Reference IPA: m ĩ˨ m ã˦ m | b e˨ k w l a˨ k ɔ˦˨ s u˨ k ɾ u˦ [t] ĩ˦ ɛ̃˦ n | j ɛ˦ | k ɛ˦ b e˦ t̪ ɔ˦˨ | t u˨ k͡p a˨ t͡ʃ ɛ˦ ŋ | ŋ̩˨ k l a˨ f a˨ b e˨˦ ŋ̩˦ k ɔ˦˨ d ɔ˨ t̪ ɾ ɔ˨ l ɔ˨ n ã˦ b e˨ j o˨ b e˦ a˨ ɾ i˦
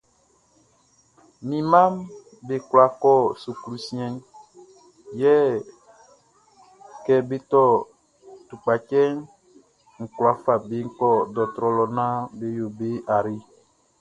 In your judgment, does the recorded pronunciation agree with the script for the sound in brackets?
no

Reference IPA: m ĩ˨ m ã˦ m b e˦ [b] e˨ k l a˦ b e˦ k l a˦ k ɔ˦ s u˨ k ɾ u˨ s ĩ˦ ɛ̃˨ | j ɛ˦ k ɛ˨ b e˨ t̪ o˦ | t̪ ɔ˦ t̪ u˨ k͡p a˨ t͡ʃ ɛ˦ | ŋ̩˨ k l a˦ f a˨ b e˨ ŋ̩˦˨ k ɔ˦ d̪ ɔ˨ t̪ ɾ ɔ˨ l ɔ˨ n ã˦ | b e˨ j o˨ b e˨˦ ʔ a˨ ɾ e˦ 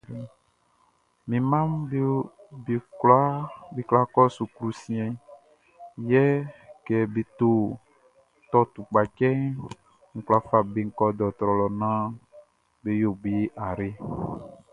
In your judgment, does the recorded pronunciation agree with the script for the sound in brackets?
yes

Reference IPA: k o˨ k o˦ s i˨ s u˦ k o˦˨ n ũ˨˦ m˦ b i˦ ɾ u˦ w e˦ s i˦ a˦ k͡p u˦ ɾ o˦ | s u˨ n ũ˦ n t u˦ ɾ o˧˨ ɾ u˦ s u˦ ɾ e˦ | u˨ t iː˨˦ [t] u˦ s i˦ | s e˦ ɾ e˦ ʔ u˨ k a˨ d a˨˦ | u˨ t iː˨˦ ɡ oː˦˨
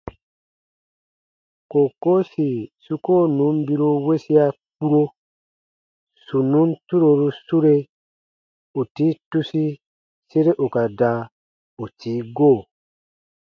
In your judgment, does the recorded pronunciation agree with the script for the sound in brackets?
yes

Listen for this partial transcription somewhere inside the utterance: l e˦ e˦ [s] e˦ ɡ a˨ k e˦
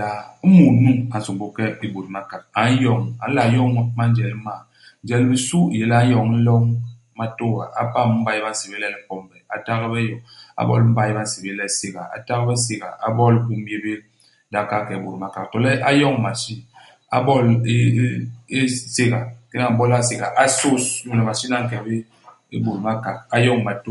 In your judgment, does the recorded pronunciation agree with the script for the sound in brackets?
yes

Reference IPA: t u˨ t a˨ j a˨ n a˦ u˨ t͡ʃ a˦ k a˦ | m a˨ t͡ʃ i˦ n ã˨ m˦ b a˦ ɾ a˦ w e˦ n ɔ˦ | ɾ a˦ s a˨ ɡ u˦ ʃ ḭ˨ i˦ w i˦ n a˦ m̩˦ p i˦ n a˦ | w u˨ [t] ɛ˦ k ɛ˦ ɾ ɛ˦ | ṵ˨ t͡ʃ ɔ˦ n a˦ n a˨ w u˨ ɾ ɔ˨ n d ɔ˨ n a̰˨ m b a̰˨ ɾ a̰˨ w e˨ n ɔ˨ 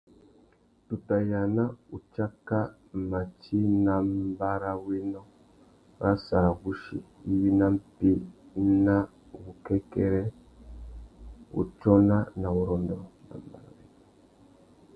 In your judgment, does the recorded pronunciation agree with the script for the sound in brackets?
no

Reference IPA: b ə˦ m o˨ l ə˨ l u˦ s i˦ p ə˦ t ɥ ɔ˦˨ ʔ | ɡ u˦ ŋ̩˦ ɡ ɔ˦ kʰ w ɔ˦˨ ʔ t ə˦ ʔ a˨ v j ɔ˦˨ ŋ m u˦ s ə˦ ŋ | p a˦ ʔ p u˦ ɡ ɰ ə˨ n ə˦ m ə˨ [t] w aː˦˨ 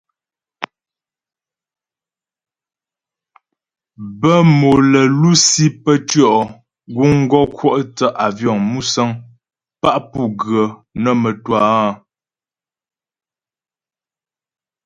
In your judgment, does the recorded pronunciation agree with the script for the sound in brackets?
yes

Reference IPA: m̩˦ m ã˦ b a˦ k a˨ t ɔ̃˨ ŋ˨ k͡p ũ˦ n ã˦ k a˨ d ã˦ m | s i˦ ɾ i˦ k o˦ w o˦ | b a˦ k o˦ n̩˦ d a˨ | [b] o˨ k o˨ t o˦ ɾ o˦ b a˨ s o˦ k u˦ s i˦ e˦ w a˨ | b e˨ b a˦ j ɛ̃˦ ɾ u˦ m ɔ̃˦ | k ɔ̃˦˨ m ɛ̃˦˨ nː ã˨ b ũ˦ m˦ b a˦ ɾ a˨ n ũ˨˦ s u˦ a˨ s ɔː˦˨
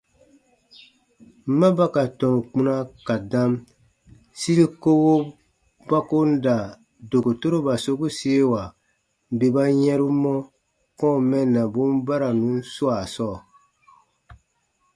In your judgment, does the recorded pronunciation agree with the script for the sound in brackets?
no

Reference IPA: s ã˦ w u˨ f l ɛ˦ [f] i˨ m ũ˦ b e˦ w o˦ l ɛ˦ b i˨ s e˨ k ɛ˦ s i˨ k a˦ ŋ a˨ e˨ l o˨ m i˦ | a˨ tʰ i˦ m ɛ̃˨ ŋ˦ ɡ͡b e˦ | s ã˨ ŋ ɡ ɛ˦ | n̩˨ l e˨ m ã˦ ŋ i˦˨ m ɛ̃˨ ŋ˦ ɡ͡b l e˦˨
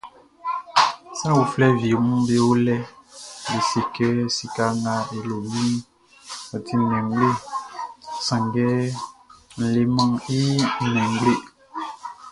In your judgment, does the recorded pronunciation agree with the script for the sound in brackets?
no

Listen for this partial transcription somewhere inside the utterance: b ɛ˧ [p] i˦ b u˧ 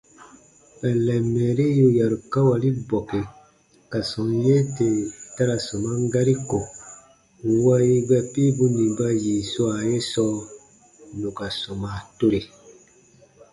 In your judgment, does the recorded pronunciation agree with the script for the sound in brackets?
yes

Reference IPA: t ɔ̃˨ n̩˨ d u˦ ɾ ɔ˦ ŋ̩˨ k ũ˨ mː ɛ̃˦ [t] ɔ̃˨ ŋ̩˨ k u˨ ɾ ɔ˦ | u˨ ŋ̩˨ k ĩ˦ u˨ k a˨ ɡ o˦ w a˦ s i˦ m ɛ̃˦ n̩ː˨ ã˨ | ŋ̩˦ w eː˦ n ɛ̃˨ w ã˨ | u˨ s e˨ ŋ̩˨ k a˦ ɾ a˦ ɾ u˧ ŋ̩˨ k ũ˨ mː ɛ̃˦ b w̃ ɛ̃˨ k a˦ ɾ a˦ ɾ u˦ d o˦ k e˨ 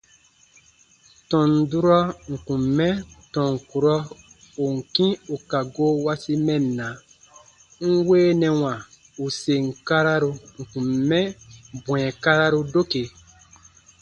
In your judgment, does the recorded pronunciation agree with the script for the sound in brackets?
yes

